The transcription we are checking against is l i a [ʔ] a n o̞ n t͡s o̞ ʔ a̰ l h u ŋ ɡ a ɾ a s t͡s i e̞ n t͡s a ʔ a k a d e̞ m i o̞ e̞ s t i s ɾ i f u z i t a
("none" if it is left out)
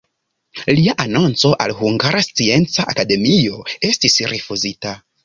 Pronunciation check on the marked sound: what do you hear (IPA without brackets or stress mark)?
ʔ